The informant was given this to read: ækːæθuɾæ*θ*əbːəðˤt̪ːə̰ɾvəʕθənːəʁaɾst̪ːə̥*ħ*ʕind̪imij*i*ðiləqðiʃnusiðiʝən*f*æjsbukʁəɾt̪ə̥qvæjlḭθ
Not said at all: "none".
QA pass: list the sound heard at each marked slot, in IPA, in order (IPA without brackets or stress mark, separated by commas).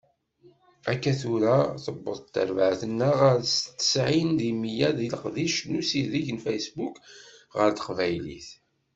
θ, s, æ, f